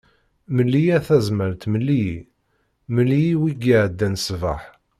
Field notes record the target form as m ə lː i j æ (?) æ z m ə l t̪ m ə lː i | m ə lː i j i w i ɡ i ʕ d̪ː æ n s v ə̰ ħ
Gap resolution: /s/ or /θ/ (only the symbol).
θ